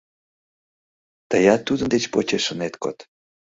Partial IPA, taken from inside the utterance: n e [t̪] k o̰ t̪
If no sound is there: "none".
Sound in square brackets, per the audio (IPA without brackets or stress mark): t̪